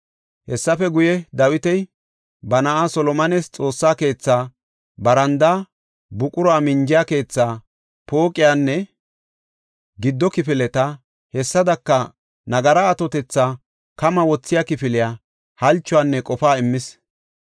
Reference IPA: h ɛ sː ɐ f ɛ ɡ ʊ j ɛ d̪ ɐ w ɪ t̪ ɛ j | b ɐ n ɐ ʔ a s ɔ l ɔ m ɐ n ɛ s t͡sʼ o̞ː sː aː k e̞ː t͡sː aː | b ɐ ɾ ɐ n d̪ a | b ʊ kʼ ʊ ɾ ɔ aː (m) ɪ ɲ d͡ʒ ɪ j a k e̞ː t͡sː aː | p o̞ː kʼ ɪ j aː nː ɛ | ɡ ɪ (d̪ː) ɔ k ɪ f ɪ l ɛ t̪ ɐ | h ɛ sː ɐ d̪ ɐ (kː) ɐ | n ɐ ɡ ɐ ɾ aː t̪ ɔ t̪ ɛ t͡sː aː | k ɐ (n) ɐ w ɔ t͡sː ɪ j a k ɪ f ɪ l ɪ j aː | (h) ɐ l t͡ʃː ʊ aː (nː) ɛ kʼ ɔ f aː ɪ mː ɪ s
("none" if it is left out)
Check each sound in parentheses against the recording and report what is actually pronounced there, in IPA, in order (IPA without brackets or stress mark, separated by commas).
m, d̪ː, kː, m, h, nː